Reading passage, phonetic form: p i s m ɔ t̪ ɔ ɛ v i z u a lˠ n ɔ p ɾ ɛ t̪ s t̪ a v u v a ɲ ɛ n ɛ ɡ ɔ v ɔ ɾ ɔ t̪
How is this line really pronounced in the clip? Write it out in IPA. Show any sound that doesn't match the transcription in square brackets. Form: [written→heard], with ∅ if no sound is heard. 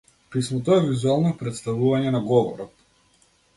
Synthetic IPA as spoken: p i s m ɔ t̪ ɔ ɛ v i z u a lˠ n ɔ p ɾ ɛ t̪ s t̪ a v u v a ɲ ɛ n [ɛ→a] ɡ ɔ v ɔ ɾ ɔ t̪